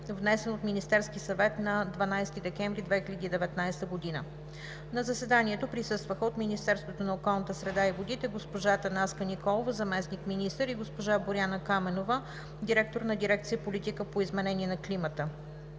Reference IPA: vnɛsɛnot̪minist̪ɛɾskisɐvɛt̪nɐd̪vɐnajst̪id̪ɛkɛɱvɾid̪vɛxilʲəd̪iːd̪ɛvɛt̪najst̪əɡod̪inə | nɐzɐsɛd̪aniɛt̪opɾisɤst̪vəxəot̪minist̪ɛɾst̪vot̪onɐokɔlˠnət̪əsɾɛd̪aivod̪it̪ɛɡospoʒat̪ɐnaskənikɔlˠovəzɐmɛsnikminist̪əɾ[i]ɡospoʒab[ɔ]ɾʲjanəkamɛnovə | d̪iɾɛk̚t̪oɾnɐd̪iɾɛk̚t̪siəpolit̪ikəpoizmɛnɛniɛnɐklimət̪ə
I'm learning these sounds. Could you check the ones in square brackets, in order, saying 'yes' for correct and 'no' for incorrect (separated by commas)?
yes, no